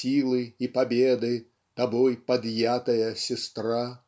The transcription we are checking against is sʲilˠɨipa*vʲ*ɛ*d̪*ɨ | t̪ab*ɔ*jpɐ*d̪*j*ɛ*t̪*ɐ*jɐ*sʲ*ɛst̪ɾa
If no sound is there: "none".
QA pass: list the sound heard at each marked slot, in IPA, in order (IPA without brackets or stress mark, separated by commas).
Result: bʲ, d̪, ɔ, d̪, a, ɐ, sʲ